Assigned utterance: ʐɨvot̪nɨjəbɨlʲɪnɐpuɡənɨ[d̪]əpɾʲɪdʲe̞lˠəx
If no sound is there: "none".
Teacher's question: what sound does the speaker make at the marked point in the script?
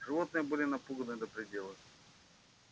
d̪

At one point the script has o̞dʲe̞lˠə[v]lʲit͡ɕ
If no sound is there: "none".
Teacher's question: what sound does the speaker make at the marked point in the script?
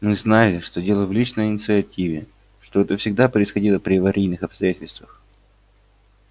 v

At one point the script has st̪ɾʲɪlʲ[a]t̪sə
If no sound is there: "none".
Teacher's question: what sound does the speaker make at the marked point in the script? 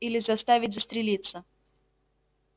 i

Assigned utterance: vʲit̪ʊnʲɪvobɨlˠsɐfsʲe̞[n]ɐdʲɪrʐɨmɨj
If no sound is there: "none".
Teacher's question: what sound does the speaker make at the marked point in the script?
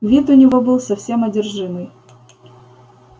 m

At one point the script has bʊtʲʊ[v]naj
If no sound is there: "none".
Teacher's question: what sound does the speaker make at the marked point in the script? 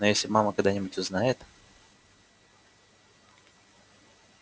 z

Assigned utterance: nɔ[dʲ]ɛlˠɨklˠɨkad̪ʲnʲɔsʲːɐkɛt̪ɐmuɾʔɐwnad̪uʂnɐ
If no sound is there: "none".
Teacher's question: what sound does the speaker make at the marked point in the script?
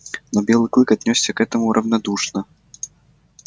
bʲ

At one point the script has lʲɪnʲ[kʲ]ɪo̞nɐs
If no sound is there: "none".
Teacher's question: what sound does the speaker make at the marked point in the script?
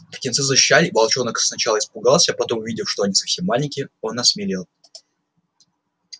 kʲ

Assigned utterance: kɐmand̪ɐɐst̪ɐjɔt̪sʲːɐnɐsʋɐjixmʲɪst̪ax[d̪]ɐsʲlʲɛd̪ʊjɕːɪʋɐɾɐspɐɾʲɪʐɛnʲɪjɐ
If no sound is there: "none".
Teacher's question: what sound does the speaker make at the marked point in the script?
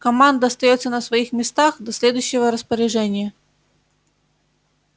d̪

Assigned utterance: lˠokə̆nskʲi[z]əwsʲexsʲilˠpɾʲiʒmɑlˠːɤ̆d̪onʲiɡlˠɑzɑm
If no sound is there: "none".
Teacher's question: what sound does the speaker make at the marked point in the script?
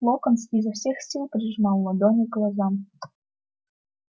z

